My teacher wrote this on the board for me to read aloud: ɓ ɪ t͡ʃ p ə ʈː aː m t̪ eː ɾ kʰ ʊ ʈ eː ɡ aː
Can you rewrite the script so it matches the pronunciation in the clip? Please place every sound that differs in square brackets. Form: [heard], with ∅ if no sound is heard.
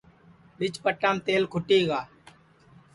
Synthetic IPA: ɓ ɪ t͡ʃ p ə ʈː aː m t̪ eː [l] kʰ ʊ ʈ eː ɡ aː